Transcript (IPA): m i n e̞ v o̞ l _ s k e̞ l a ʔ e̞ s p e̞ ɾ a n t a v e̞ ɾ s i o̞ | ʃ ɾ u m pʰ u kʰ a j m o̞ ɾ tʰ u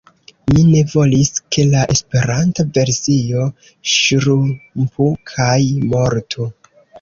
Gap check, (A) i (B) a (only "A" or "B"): A